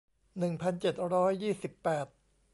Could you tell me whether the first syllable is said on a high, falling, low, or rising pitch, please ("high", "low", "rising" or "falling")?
low